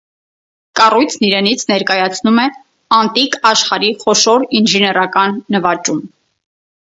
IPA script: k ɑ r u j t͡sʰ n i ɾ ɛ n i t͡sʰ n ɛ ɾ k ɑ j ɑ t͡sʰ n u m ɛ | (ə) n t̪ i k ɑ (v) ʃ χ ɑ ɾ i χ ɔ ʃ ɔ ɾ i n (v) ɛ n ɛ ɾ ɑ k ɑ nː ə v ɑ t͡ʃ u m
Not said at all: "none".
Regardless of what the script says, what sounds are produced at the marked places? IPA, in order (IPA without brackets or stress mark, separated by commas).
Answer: ɑ, none, ʒ